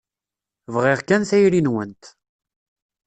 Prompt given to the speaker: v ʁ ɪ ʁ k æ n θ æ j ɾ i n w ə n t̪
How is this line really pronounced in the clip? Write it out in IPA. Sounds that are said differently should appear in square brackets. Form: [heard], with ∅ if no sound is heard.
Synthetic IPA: v ʁ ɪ ʁ k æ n θ æ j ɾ i n w ə n t̪